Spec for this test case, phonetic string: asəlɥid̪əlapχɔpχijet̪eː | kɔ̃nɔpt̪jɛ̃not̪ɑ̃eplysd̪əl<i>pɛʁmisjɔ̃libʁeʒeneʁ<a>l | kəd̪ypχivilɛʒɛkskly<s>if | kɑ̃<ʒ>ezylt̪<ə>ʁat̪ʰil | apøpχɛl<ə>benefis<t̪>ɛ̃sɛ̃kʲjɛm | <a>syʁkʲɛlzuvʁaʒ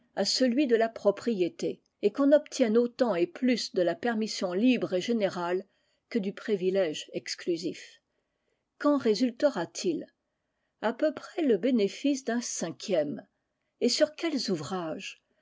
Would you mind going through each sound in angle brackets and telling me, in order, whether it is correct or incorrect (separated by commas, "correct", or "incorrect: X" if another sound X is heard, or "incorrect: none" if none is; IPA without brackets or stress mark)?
incorrect: a, correct, incorrect: z, incorrect: ʁ, correct, correct, incorrect: d̪, incorrect: e